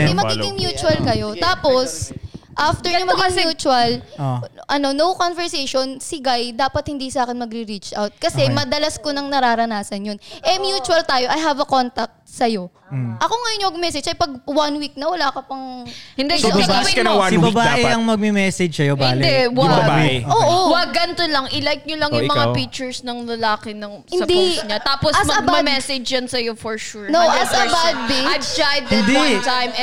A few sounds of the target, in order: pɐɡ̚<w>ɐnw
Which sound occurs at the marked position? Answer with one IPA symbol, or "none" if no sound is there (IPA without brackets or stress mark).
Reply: w